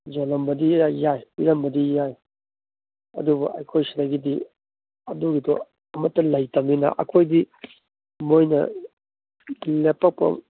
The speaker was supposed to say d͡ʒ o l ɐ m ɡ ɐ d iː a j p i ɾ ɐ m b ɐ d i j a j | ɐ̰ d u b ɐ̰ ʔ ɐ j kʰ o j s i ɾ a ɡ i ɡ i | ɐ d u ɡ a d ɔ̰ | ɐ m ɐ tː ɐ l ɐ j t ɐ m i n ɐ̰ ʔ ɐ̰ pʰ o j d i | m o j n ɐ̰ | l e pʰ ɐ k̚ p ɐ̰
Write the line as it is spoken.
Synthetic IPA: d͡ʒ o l ɐ m b ɐ d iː a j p i ɾ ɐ m b ɐ d i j a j | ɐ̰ d u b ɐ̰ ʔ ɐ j kʰ o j s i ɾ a ɡ i d i | ɐ d u ɡ i d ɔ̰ | ɐ m ɐ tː ɐ l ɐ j t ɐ m i n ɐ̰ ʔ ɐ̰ kʰ o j d i | m o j n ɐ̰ | l e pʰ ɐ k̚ p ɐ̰